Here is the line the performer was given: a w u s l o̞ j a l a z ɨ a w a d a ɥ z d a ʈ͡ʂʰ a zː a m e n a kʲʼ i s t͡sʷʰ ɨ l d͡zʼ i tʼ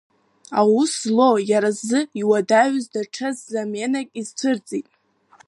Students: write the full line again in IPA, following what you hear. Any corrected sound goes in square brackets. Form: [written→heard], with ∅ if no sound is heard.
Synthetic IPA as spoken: a w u s l o̞ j a [l→ɾ] a z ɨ [a→i] w a d a ɥ z d a ʈ͡ʂʰ a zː a m e n a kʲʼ i [s→z] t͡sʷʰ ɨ [l→r] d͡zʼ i tʼ